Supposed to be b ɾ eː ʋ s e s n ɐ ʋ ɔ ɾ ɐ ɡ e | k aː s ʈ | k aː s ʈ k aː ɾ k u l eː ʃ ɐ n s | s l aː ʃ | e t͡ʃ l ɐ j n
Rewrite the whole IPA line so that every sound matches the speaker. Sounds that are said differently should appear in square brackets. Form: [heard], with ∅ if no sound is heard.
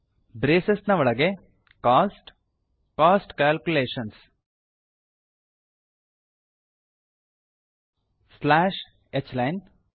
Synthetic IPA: b ɾ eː [∅] s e s n ɐ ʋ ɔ [ɭ] ɐ ɡ e | k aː s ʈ | k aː s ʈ k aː [l] k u l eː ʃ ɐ n s | s l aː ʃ | e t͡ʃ l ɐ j n

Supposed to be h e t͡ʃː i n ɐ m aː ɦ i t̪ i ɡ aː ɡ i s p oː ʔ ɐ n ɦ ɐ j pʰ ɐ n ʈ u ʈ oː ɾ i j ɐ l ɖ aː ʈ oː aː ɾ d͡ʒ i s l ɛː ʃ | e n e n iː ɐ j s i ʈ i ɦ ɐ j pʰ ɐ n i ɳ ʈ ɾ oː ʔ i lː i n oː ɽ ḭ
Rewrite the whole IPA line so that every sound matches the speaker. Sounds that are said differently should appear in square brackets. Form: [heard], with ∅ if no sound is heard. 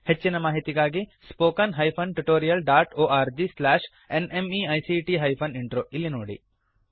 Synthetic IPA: h e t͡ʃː i n ɐ m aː ɦ i t̪ i ɡ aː ɡ i s p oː [k] ɐ n ɦ ɐ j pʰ ɐ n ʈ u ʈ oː ɾ i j ɐ l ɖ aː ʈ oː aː ɾ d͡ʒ i s l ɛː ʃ | e n e [m] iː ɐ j s i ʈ i ɦ ɐ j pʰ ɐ n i ɳ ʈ ɾ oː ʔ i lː i n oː ɽ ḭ

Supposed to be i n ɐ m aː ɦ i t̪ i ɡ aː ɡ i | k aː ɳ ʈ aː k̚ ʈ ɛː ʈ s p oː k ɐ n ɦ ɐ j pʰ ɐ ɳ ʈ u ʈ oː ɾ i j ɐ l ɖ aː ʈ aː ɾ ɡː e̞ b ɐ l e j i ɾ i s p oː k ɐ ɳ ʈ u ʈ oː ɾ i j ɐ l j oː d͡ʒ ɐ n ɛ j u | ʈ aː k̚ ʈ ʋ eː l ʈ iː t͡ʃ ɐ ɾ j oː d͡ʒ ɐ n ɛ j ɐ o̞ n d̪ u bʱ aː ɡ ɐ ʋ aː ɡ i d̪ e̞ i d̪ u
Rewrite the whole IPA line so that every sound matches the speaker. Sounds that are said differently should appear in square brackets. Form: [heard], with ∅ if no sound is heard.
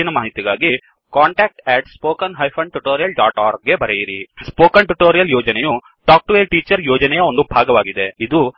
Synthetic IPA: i n ɐ m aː ɦ i t̪ i ɡ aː ɡ i | k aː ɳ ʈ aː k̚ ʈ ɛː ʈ s p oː k ɐ n ɦ ɐ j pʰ ɐ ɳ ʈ u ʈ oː ɾ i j ɐ l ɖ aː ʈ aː ɾ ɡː e̞ b ɐ [ɾ] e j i ɾ i s p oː k ɐ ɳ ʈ u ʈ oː ɾ i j ɐ l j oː d͡ʒ ɐ n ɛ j u | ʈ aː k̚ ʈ ʋ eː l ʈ iː t͡ʃ ɐ ɾ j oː d͡ʒ ɐ n ɛ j ɐ o̞ n d̪ u bʱ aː ɡ ɐ ʋ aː ɡ i d̪ e̞ i d̪ u

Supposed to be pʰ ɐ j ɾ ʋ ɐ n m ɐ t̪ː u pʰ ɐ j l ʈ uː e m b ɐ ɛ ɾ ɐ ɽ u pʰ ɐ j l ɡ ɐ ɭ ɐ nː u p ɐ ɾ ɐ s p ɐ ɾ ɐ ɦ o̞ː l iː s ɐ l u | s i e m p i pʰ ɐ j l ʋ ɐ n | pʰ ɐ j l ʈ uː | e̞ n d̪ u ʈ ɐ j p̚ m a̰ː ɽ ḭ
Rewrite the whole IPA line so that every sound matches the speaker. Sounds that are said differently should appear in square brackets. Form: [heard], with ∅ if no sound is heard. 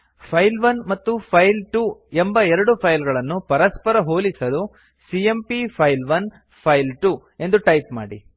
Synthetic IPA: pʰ ɐ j [l] ʋ ɐ n m ɐ t̪ː u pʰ ɐ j l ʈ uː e m b ɐ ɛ ɾ ɐ ɽ u pʰ ɐ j l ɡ ɐ ɭ ɐ nː u p ɐ ɾ ɐ s p ɐ ɾ ɐ ɦ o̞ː l [i] s ɐ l u | s i e m p i pʰ ɐ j l ʋ ɐ n | pʰ ɐ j l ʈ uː | e̞ n d̪ u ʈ ɐ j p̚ m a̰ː ɽ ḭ

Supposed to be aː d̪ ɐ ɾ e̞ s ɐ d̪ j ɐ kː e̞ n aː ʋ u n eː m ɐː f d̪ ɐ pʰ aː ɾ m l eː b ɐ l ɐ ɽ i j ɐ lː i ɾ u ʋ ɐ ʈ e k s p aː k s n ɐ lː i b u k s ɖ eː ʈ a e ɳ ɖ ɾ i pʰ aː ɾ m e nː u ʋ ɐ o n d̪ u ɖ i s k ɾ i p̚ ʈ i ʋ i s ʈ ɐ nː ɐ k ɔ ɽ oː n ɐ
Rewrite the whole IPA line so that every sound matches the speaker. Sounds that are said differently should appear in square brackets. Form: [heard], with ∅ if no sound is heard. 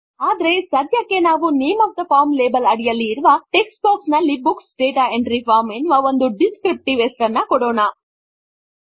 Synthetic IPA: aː d̪ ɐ ɾ e̞ s ɐ d̪ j ɐ kː e̞ n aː ʋ u n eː m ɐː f d̪ ɐ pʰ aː ɾ m l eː b ɐ l ɐ ɽ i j ɐ lː [iː] ɾ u ʋ ɐ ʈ e k s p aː k s n ɐ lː i b u k s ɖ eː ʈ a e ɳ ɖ ɾ i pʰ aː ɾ m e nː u ʋ ɐ o n d̪ u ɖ i s k ɾ i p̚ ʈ i ʋ [e] s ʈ ɐ nː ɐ k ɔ ɽ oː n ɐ

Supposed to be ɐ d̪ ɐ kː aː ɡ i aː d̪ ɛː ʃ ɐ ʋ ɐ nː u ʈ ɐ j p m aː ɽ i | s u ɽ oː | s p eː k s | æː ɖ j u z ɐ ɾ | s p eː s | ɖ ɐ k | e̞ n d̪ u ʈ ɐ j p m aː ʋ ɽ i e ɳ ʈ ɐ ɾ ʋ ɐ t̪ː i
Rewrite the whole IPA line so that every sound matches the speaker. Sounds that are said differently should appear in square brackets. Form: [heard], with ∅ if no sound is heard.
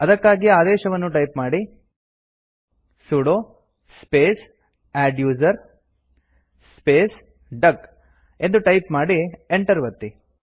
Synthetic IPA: ɐ d̪ ɐ kː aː ɡ i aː d̪ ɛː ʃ ɐ ʋ ɐ nː u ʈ ɐ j p m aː ɽ i | s u ɽ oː | s p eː [∅] s | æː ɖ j [uː] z ɐ ɾ | s p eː s | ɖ ɐ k | e̞ n d̪ u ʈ ɐ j p m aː [∅] ɽ i e ɳ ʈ ɐ ɾ ʋ ɐ t̪ː i

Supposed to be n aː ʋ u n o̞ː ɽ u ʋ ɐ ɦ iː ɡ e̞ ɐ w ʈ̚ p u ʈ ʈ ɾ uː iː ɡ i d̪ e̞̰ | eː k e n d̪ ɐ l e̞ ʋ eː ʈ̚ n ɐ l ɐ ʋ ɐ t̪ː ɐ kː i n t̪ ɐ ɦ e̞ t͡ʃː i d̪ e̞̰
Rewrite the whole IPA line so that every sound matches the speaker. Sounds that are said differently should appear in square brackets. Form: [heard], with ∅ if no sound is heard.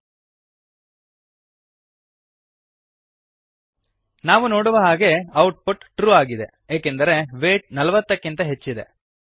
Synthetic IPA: n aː ʋ u n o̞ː ɽ u ʋ ɐ ɦ [aː] ɡ e̞ ɐ w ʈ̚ p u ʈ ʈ ɾ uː [aː] ɡ i d̪ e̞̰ | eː k e n d̪ ɐ [ɾ] e̞ ʋ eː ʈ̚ n ɐ l ɐ ʋ ɐ t̪ː ɐ kː i n t̪ ɐ ɦ e̞ t͡ʃː i d̪ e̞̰

